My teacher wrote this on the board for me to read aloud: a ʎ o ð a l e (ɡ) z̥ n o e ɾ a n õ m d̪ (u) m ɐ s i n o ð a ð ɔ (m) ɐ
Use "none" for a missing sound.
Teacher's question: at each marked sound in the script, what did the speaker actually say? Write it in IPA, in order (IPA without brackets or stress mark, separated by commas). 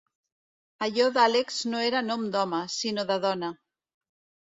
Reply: k, ɔ, n